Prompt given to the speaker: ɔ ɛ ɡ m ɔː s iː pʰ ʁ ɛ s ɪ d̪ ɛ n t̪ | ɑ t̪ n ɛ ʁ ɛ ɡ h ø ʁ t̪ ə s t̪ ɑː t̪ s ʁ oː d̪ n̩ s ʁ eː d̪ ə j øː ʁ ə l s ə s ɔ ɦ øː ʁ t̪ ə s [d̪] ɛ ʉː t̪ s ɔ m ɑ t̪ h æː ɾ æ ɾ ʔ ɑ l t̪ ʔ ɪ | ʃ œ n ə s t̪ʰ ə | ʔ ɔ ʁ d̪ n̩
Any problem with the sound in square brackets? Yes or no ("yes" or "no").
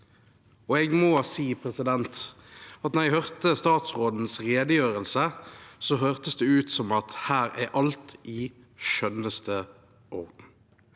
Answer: no